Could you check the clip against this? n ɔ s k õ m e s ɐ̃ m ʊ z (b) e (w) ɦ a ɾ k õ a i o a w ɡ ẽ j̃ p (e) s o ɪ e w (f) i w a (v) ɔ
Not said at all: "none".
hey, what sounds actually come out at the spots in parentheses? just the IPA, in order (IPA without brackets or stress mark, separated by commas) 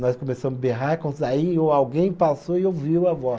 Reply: b, none, a, v, v